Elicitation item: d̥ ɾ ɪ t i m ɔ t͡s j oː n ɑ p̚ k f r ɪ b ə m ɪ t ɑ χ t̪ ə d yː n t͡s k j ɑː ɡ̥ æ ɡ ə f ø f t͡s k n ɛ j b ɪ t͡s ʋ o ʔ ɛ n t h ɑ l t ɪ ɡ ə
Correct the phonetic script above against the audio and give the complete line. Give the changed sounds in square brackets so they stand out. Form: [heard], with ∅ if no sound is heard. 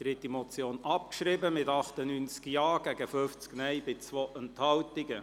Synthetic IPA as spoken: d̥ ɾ ɪ t i m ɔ t͡s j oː n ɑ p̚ k [ʃ] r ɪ b ə m ɪ t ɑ χ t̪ ə [n] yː n t͡s k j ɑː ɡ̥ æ ɡ ə f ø f t͡s k n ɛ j b ɪ t͡s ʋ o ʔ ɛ n t h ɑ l t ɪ ɡ ə